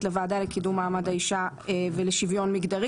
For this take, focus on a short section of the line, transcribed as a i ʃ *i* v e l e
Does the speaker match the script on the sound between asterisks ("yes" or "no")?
no